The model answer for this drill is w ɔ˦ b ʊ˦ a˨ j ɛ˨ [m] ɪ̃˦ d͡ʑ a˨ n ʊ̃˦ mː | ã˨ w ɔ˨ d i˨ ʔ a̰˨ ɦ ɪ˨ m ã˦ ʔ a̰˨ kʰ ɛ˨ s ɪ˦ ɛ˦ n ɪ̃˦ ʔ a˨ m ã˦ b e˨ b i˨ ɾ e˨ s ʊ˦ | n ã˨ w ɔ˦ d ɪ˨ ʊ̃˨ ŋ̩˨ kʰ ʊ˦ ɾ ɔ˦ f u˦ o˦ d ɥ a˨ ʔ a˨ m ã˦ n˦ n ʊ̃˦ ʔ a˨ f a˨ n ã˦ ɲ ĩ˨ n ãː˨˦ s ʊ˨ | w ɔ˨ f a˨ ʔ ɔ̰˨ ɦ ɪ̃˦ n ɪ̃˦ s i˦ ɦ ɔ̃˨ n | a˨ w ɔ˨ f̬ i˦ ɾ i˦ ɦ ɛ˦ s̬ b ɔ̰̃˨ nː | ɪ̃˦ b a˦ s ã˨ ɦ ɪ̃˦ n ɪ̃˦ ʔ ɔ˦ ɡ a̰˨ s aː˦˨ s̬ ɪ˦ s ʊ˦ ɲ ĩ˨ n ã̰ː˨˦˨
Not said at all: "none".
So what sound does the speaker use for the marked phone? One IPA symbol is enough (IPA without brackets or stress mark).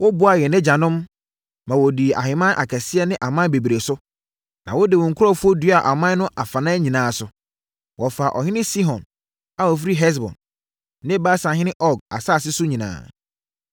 n